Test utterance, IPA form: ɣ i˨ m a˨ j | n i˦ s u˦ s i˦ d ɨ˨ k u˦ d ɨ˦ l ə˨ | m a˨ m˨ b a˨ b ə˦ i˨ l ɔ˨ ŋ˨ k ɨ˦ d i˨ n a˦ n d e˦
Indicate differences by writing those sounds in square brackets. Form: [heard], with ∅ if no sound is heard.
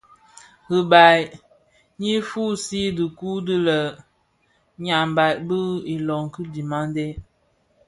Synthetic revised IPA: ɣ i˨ [b] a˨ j | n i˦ [f] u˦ s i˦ d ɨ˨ k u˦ d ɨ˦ l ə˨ | [ɲ] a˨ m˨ b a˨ b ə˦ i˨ l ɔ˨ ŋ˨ k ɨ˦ d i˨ [m] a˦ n d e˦